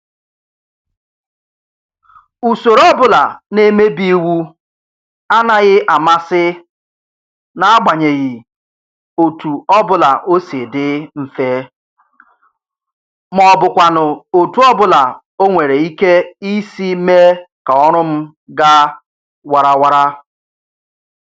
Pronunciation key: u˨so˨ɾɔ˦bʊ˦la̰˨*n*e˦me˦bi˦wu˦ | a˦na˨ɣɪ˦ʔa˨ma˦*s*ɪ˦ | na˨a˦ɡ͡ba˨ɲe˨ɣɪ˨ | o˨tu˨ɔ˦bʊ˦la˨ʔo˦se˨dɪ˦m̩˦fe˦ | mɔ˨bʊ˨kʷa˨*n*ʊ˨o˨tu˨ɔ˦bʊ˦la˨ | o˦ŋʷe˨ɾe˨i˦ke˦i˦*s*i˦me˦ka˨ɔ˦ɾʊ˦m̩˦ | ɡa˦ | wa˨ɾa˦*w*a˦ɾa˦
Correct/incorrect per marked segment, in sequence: correct, correct, correct, correct, correct

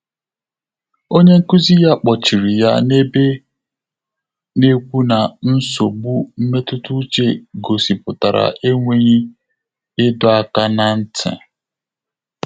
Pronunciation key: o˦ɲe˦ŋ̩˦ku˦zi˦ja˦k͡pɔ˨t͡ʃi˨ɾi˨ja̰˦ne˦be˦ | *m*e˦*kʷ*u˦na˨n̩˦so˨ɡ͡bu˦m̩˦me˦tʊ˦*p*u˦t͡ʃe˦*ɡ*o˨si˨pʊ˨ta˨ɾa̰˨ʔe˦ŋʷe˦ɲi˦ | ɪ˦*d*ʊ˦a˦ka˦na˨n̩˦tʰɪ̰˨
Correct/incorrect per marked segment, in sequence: incorrect: n, correct, incorrect: t, correct, correct

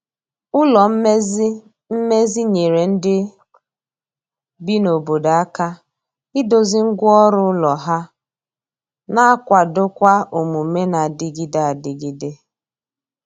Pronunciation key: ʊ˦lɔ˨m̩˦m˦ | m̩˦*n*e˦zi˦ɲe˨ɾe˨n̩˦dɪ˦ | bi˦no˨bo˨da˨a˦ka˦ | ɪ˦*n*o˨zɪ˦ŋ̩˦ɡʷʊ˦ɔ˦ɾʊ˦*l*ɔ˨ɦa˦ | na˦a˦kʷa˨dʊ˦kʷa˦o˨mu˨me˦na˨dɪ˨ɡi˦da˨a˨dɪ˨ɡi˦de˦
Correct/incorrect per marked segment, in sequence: incorrect: m, incorrect: d, correct

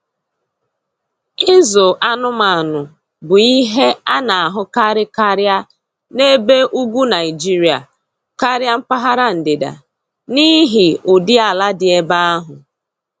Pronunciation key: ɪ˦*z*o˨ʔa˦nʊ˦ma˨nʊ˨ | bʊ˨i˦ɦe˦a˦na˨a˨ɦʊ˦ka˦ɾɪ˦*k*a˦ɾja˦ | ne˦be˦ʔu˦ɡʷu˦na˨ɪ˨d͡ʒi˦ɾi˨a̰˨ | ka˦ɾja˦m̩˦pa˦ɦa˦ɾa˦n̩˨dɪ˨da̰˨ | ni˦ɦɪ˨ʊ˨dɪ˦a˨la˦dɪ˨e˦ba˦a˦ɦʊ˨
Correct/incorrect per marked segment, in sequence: correct, correct

